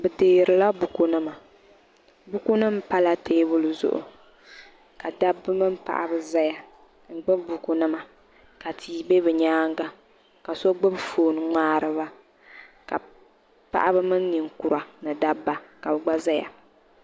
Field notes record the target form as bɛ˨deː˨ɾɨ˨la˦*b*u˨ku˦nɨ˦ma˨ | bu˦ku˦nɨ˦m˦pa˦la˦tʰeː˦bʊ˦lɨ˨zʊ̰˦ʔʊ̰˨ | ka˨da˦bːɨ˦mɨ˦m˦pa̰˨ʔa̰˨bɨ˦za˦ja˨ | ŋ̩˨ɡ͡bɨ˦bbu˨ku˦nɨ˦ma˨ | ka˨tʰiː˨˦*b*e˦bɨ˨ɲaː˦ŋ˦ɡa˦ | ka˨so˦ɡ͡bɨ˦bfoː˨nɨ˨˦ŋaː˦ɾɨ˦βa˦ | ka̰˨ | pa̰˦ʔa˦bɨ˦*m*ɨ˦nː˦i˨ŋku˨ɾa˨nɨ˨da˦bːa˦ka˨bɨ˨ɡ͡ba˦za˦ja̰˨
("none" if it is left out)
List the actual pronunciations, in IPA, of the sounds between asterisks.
b, b, m

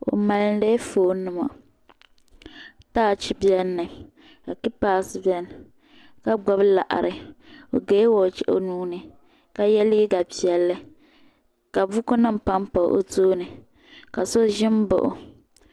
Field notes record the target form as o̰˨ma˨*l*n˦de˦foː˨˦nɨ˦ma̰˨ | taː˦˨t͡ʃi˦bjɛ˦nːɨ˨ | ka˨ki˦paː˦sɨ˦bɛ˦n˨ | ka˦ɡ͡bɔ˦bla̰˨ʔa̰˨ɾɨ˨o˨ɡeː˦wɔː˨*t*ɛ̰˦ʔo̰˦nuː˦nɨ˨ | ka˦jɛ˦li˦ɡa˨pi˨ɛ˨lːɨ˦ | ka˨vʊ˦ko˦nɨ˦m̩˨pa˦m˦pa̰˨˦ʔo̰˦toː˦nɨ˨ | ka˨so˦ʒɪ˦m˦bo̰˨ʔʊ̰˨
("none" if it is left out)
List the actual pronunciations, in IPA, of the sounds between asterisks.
l, t͡ʃ

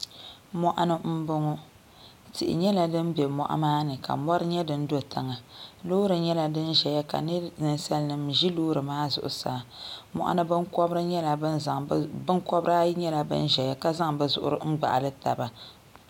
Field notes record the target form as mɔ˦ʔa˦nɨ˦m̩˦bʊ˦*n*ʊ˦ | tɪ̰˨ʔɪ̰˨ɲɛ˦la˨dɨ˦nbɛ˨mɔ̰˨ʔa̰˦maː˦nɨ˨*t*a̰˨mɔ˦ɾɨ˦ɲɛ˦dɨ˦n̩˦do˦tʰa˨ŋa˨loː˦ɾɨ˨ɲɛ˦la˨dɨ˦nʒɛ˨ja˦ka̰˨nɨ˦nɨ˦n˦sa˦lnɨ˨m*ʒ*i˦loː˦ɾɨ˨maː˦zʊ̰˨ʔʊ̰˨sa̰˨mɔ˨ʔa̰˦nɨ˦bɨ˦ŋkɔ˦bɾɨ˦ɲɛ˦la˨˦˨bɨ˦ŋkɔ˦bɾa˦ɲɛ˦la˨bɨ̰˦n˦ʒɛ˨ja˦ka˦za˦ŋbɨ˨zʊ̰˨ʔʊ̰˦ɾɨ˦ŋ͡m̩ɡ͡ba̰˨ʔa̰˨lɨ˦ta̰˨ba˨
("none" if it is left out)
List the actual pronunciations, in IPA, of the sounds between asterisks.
ŋ, k, ʒ

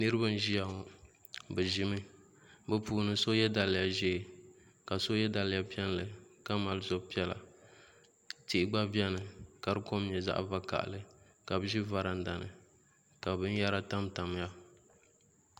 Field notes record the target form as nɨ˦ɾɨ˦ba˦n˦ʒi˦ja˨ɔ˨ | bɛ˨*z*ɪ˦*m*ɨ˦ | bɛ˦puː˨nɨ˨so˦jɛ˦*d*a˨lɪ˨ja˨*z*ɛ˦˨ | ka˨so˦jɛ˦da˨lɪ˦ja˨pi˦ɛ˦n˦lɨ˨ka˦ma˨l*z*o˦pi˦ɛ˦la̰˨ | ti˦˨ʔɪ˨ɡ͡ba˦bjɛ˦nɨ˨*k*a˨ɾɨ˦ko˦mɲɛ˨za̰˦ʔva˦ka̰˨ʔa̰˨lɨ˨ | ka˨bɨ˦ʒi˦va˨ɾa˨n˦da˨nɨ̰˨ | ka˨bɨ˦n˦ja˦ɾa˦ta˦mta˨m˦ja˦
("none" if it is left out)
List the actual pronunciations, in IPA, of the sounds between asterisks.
ʒ, m, d, ʒ, z, k

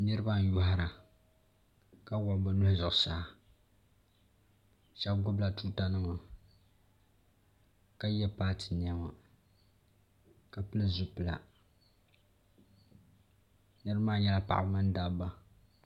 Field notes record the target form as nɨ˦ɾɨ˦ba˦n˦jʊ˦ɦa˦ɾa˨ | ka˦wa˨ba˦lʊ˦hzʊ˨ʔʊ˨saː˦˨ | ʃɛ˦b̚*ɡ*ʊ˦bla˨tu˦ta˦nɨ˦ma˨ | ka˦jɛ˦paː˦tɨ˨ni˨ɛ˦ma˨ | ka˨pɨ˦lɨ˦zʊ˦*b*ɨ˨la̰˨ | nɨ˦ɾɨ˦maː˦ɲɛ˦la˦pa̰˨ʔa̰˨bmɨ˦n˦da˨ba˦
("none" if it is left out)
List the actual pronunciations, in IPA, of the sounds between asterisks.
ɡ, p

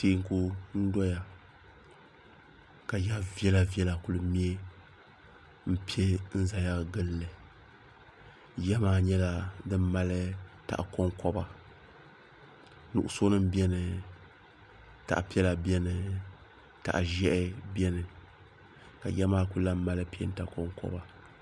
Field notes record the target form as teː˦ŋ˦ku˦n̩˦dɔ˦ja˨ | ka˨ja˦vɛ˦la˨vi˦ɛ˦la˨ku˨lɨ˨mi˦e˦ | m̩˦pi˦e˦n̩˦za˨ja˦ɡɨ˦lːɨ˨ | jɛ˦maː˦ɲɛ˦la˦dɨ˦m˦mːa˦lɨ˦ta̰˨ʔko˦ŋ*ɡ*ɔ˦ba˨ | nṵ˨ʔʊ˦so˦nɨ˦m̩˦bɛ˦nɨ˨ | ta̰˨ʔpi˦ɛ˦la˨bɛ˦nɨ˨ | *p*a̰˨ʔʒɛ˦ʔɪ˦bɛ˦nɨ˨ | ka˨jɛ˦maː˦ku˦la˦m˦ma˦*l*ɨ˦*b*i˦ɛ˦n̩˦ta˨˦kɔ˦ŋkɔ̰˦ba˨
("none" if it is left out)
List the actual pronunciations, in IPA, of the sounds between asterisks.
k, t, l, p

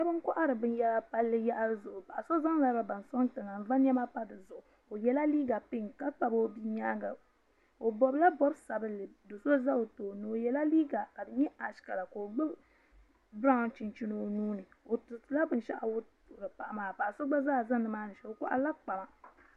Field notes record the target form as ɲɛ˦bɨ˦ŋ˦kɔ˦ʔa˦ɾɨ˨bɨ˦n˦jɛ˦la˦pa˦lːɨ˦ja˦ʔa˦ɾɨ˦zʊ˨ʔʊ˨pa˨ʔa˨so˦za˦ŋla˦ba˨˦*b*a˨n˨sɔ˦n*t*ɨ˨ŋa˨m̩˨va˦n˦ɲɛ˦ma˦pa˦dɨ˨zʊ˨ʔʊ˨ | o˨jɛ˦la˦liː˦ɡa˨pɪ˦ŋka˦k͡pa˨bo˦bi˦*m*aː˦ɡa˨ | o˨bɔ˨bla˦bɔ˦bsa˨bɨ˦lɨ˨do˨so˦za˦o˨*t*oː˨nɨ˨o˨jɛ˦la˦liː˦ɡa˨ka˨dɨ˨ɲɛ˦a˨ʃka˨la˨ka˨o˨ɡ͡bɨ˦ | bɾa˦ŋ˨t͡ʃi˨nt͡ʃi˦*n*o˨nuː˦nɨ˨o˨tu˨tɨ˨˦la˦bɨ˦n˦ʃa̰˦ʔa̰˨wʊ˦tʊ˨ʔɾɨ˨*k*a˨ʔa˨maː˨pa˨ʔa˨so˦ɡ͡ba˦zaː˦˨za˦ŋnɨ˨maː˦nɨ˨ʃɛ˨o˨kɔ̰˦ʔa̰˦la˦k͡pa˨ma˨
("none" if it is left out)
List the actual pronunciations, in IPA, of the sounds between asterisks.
b, t, ɲ, t, n, p

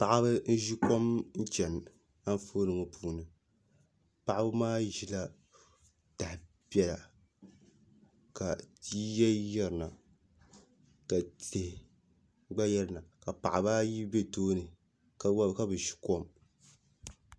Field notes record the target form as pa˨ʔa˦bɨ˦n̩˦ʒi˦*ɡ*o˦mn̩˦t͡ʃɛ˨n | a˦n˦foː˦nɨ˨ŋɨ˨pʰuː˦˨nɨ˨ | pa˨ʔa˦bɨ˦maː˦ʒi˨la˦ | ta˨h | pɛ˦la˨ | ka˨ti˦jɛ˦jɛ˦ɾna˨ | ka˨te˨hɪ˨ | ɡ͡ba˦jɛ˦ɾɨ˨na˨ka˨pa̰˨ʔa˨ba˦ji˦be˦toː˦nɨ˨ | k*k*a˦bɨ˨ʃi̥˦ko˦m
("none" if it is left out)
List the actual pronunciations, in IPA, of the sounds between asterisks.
k, k

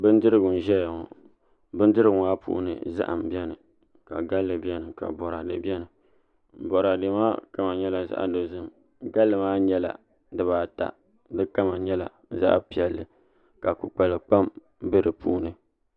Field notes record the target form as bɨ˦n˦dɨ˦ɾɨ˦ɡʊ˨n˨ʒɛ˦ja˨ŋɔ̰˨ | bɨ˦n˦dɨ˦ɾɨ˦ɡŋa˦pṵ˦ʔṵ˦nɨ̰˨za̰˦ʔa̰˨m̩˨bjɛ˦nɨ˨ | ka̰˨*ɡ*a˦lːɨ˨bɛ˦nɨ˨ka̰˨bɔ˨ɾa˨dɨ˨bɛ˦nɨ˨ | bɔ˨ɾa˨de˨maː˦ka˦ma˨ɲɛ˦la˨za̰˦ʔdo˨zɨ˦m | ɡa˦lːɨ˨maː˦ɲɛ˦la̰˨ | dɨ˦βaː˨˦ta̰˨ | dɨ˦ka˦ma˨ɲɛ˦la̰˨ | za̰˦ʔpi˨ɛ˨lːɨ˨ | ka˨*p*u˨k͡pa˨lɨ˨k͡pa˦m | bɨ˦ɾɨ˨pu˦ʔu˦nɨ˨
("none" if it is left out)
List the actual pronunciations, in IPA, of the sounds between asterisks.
ɡ, k

